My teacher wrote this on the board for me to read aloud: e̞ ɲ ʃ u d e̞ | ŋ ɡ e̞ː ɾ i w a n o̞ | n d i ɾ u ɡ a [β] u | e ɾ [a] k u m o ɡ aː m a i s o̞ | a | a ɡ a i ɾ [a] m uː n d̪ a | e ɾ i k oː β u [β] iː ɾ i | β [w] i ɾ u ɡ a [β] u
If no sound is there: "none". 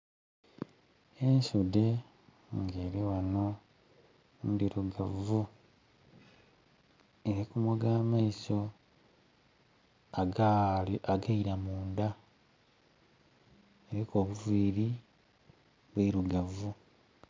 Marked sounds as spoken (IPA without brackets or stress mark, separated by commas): v, i, a, v, w, v